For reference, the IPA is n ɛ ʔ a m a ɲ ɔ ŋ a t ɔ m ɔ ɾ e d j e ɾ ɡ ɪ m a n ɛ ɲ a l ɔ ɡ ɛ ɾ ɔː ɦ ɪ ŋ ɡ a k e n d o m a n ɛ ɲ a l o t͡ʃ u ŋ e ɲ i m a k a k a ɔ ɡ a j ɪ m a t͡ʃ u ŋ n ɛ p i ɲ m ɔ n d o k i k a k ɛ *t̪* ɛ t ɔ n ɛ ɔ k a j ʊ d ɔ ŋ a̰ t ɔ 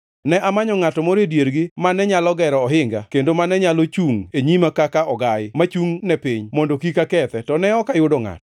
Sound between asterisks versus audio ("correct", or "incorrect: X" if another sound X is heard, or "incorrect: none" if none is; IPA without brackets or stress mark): correct